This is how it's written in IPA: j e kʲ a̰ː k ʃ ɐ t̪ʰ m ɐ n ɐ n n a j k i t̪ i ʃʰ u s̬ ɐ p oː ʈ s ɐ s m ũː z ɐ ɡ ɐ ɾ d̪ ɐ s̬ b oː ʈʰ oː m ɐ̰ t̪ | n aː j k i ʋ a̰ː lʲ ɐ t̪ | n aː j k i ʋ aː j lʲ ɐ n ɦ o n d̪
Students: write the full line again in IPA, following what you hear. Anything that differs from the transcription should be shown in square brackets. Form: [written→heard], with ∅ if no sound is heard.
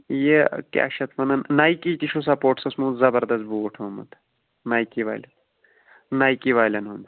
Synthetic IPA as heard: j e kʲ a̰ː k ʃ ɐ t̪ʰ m ɐ n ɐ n n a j k i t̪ i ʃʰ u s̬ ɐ p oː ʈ s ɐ s m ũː z ɐ [ɡ→b] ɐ ɾ d̪ ɐ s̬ b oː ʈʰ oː m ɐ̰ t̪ | n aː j k i ʋ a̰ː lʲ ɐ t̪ | n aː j k i ʋ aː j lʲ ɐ n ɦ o n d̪

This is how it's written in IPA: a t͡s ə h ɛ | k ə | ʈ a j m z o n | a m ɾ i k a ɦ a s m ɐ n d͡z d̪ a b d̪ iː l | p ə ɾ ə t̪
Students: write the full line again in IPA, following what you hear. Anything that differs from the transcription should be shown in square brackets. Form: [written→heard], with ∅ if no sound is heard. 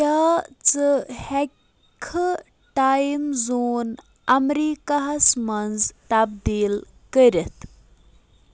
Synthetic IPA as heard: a t͡s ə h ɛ | [k→kʰ] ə | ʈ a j m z o n | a m ɾ i k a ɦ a s m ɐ n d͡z [d̪→t̪] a b d̪ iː l | [p→k] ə ɾ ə t̪

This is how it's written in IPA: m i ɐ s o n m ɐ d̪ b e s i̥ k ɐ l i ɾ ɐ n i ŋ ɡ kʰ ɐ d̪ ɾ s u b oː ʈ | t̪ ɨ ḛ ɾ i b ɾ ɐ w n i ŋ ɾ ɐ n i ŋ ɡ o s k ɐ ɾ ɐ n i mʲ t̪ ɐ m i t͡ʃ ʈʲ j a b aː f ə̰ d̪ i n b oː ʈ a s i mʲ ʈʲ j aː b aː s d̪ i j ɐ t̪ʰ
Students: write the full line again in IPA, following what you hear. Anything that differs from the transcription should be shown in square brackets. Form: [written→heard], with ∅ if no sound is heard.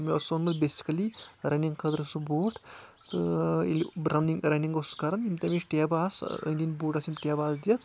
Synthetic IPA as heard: m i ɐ s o n m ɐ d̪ b e s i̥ k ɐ l i ɾ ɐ n i ŋ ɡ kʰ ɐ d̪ ɾ s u b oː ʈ | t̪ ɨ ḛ [ɾ→l] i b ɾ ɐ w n i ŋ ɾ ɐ n i ŋ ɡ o s k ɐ ɾ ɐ n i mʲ t̪ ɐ m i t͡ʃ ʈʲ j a b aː [f→s] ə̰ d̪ i n b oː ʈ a s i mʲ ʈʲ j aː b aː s d̪ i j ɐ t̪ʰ

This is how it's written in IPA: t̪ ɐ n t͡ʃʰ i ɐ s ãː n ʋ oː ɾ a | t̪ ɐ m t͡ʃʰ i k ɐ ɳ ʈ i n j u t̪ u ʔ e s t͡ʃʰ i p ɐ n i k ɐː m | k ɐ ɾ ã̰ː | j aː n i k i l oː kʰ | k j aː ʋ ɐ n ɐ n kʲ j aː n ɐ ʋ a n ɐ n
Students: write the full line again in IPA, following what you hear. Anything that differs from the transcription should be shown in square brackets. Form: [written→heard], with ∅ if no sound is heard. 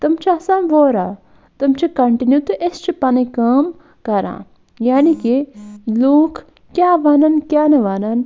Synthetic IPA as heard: t̪ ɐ [n→m] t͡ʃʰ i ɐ s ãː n ʋ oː ɾ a | t̪ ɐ m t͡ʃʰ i k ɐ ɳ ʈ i n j u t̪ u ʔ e s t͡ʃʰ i p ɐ n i k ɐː m | k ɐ ɾ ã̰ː | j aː n i k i l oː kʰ | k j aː ʋ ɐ n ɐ n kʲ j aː n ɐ ʋ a n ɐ n

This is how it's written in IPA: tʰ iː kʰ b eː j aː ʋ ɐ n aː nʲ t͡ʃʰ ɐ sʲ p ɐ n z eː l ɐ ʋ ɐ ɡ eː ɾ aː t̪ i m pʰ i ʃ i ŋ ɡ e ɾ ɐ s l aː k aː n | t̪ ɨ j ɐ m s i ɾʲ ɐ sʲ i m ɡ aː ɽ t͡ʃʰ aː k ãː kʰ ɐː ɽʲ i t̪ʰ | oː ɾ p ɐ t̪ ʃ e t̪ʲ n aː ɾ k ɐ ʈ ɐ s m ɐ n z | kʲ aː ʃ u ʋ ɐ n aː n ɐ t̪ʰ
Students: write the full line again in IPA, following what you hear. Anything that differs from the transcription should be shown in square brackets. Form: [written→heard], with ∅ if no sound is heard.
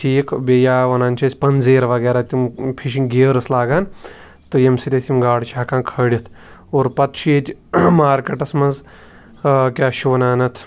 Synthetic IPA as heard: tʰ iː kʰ b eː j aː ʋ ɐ n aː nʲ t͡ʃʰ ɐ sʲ p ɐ n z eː [l→ɾ] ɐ ʋ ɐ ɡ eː ɾ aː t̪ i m pʰ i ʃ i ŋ ɡ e ɾ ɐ s l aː [k→ɡ] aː n | t̪ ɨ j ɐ m s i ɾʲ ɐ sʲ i m ɡ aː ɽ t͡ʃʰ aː k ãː kʰ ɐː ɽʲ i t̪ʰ | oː ɾ p ɐ t̪ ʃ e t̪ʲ [n→m] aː ɾ k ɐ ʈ ɐ s m ɐ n z | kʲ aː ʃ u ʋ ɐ n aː n ɐ t̪ʰ

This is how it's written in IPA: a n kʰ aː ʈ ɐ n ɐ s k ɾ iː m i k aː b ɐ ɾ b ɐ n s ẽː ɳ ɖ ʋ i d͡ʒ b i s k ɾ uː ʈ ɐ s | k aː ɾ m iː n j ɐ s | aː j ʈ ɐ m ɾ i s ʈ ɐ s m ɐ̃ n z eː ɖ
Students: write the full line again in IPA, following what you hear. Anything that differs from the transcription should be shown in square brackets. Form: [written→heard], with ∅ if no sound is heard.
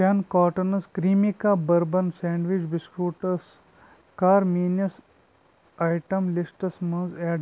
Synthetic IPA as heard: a n [kʰ→k] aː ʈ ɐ n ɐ s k ɾ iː m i k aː b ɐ ɾ b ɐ n s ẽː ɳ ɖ ʋ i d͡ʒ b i s k ɾ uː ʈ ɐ s | k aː ɾ m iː n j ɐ s | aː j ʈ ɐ m [ɾ→l] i s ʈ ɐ s m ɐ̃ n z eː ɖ

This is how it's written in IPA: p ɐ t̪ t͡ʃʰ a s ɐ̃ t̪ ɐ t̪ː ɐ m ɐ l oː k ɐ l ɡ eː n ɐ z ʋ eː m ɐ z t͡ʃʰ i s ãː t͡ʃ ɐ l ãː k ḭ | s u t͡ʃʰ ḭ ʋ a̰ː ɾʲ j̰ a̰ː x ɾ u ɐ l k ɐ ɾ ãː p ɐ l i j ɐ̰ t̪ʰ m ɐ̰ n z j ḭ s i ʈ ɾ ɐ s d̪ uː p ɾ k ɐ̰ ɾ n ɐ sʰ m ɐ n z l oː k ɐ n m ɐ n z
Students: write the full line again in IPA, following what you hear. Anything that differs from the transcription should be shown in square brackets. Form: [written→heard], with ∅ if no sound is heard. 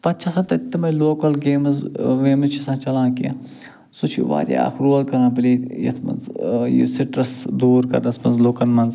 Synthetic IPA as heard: p ɐ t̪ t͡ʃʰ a s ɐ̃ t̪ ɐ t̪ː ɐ m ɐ l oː k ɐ l ɡ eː [n→m] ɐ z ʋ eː m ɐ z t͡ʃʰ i s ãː t͡ʃ ɐ l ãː k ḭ | s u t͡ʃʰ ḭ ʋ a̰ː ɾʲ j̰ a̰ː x ɾ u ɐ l k ɐ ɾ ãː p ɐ l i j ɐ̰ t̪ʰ m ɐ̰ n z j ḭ s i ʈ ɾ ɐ s d̪ uː [p→∅] ɾ k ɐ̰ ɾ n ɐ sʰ m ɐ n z l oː k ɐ n m ɐ n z

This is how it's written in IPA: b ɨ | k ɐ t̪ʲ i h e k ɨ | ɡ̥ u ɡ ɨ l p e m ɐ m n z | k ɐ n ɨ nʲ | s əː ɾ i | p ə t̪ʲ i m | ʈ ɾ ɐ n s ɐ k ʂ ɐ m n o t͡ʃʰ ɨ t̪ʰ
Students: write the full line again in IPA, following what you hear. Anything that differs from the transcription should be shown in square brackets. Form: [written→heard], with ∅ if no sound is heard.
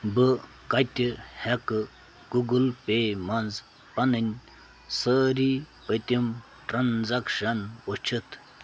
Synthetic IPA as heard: b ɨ | k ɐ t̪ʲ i h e k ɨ | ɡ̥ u ɡ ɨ l p e m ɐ [m→∅] n z | [k→p] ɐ n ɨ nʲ | s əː ɾ i | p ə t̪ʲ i m | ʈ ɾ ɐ n [s→z] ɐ k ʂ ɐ [m→∅] n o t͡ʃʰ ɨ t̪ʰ

